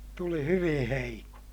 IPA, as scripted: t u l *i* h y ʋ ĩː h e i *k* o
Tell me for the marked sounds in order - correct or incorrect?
correct, correct

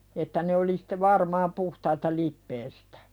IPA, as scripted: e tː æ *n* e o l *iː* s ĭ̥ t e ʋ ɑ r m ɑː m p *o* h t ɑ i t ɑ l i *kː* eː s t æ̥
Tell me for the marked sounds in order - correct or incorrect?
correct, incorrect, incorrect, incorrect

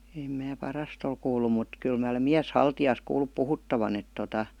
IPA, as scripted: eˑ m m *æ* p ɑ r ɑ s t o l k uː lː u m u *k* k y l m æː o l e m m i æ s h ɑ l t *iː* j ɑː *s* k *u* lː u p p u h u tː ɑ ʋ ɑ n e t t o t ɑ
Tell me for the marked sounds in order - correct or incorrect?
incorrect, incorrect, incorrect, correct, incorrect

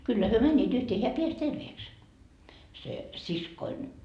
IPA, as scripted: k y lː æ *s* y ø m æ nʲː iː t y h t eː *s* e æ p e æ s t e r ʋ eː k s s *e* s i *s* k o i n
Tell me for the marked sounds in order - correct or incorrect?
incorrect, incorrect, correct, correct

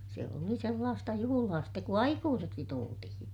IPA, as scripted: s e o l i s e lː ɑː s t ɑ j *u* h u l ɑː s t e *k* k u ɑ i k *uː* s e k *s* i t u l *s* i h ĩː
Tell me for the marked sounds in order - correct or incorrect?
correct, correct, correct, correct, incorrect

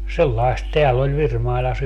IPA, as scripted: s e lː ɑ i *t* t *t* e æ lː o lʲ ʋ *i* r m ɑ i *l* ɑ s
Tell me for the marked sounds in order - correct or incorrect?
incorrect, correct, correct, correct

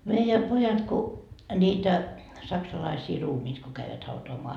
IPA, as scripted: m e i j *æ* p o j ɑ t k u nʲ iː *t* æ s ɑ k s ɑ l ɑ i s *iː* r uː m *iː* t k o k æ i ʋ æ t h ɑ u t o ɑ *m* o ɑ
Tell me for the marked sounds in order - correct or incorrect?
correct, correct, correct, correct, correct

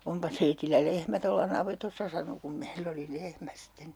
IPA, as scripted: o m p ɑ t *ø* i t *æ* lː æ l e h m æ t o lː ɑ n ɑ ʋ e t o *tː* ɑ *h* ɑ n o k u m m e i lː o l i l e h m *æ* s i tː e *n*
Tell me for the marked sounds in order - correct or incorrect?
incorrect, incorrect, incorrect, incorrect, correct, correct

